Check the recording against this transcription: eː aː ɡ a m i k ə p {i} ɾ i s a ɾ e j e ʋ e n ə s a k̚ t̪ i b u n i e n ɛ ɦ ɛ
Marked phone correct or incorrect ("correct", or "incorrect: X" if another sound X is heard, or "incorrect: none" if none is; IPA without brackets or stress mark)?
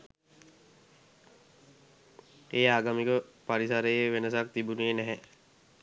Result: incorrect: a